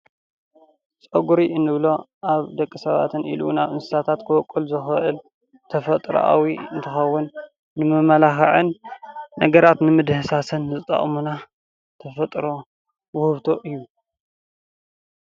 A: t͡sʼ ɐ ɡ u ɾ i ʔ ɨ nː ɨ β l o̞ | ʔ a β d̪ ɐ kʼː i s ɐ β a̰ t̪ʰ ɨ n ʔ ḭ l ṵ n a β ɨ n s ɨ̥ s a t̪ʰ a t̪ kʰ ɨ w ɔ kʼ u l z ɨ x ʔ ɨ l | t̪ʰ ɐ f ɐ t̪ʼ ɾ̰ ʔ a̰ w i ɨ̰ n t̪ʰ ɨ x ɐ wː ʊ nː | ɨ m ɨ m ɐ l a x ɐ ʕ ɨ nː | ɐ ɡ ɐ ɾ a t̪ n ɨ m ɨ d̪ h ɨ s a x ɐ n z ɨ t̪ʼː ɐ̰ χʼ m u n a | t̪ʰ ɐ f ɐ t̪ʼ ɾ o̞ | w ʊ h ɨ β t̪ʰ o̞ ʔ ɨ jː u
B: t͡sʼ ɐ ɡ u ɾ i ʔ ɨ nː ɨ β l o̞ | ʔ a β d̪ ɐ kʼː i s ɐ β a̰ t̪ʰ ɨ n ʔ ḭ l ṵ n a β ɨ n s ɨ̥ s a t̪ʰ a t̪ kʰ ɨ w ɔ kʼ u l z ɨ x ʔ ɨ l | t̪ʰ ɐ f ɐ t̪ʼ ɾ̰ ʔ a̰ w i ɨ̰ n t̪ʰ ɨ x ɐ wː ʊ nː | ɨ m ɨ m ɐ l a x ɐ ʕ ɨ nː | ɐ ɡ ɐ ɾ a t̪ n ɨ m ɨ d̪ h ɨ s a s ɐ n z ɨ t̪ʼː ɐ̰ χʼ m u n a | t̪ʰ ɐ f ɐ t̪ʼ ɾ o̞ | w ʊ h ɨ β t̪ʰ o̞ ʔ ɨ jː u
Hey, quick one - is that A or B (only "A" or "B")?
B